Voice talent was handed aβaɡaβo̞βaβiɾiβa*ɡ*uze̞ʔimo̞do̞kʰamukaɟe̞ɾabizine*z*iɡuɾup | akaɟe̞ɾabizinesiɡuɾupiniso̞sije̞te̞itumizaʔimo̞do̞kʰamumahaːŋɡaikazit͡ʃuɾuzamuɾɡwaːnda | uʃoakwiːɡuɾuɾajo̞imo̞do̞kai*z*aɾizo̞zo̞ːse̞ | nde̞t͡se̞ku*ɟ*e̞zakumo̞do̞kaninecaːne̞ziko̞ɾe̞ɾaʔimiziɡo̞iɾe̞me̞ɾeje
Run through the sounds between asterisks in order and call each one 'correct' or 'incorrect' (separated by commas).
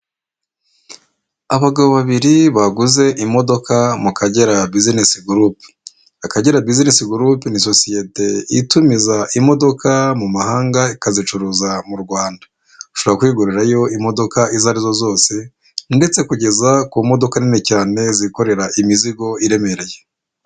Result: correct, incorrect, correct, correct